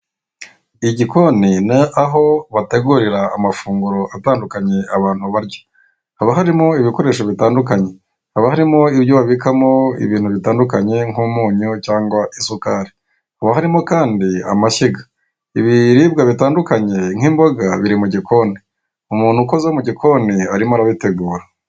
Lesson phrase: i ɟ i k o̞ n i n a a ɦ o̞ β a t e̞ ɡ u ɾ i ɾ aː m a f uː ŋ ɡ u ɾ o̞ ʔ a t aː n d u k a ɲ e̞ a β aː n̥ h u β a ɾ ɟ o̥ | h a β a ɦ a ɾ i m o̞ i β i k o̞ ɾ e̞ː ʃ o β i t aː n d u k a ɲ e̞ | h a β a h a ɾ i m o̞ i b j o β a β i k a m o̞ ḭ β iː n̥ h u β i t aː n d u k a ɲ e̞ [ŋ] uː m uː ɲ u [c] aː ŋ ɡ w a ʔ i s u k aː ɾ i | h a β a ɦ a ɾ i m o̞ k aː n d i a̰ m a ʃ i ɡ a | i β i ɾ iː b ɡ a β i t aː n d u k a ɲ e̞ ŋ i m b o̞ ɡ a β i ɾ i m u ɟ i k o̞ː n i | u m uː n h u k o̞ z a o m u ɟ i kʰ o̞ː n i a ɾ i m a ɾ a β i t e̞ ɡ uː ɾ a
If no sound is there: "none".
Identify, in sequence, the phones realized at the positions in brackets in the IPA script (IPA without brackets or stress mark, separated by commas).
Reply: ŋ, c